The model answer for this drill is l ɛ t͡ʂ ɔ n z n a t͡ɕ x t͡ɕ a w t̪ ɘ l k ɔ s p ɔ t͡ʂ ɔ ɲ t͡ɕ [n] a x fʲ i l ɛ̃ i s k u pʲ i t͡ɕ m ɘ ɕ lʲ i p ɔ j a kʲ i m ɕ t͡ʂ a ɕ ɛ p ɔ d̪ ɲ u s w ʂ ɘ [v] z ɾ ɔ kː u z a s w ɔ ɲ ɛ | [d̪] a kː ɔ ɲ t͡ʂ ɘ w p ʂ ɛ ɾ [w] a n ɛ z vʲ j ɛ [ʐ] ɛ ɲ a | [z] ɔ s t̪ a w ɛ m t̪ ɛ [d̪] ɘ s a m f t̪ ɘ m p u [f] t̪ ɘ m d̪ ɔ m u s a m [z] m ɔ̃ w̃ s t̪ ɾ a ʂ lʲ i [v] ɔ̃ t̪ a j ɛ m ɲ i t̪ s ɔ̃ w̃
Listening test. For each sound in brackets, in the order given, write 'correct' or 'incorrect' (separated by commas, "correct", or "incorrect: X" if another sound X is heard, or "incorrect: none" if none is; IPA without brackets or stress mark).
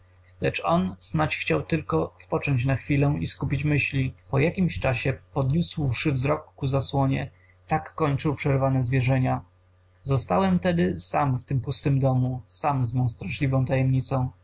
correct, correct, incorrect: t̪, incorrect: v, correct, correct, correct, incorrect: s, correct, correct